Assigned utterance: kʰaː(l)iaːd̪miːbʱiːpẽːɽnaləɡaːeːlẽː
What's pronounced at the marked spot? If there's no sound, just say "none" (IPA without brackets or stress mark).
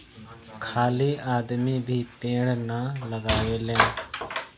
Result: l